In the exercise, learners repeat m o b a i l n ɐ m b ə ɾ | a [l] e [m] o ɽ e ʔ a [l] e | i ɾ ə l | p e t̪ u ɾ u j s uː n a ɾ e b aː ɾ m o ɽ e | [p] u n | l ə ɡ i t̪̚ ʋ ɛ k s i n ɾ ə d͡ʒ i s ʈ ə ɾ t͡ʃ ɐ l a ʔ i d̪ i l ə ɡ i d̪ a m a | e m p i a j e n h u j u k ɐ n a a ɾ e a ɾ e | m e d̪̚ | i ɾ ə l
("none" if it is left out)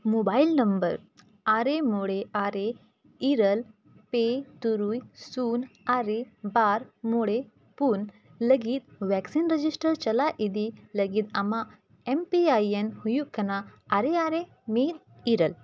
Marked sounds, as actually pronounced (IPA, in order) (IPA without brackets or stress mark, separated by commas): ɾ, m, ɾ, p